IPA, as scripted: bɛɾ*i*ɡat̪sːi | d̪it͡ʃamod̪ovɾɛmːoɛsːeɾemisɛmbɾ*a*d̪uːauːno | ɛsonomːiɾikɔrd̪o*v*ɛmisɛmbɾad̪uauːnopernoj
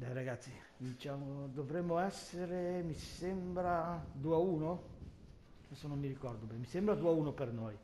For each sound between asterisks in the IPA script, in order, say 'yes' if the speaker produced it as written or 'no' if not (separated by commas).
no, yes, no